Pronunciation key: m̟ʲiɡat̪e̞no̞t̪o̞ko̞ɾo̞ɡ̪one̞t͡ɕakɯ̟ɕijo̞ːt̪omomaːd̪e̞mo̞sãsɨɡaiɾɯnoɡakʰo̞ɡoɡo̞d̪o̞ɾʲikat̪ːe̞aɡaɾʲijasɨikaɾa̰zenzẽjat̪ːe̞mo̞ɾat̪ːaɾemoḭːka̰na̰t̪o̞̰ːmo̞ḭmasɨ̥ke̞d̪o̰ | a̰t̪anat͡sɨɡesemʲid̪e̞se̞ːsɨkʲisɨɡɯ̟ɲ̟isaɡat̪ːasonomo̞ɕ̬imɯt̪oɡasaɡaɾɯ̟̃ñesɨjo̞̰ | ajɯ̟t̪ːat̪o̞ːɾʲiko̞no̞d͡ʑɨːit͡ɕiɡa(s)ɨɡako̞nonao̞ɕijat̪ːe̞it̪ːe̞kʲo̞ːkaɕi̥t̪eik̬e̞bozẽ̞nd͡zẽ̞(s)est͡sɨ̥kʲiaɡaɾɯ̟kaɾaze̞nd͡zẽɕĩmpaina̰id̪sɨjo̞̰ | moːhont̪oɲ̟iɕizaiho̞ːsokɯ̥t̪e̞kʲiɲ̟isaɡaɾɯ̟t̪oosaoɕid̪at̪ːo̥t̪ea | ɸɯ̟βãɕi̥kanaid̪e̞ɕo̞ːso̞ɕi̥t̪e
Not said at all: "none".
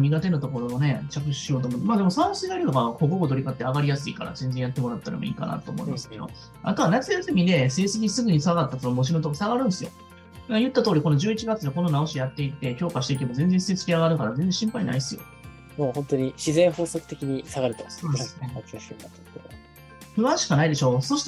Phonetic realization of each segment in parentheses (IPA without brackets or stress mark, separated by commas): t͡s, s